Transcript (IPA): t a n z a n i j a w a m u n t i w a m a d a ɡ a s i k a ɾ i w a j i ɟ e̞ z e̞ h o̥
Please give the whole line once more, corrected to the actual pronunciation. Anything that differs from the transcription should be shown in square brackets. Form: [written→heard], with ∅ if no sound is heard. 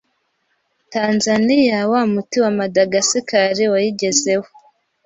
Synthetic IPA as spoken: t a n z a n i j a w a m u [n→∅] t i w a m a d a ɡ a s i k a ɾ i w a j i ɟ e̞ z e̞ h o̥